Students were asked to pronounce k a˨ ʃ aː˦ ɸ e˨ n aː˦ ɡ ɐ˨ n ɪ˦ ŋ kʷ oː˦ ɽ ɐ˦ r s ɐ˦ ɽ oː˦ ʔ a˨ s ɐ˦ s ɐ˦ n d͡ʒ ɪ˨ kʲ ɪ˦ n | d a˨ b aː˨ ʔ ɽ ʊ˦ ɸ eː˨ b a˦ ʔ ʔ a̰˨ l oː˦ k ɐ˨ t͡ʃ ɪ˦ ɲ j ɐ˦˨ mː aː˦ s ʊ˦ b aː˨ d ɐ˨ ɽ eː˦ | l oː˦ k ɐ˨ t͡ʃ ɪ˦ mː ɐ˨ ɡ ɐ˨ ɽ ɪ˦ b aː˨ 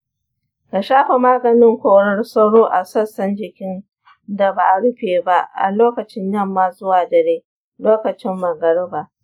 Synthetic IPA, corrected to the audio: k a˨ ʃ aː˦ ɸ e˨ m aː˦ ɡ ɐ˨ n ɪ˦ ŋ kʷ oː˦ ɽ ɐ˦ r s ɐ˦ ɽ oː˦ ʔ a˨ s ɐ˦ s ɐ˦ n d͡ʒ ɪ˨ kʲ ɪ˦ n | d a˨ b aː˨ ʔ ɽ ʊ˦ ɸ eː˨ b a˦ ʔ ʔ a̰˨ l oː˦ k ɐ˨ t͡ʃ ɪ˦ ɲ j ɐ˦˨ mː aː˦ z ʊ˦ w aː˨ d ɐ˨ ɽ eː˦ | l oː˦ k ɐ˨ t͡ʃ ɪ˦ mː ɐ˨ ɡ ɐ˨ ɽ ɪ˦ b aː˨

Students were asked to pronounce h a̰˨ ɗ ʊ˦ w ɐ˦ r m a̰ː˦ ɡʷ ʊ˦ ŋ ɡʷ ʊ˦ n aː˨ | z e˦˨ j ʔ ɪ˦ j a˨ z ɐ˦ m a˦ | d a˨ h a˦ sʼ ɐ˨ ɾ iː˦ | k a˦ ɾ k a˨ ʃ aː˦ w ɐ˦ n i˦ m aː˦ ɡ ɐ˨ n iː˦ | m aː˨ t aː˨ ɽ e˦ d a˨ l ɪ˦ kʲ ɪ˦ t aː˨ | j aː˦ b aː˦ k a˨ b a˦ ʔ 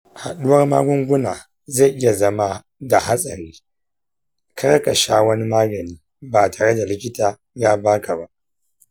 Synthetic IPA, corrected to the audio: h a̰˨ ɗ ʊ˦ w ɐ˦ r m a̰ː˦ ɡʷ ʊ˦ ŋ ɡʷ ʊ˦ n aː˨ | z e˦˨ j ʔ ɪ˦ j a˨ z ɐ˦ m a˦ | d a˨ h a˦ sʼ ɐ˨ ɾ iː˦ | k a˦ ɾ k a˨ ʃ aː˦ w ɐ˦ n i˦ m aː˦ ɡ ɐ˨ n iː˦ | b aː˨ t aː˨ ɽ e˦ d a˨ l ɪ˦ kʲ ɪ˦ t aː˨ | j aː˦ b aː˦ k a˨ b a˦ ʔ

